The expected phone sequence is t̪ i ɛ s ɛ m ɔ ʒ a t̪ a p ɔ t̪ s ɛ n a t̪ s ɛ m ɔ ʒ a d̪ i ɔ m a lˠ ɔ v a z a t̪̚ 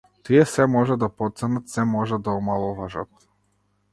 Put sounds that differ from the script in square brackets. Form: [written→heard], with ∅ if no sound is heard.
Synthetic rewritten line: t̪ i ɛ s ɛ m ɔ ʒ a [t̪→d̪] a p ɔ t̪ s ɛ n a t̪ s ɛ m ɔ ʒ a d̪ [i→a] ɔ m a lˠ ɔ v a [z→ʒ] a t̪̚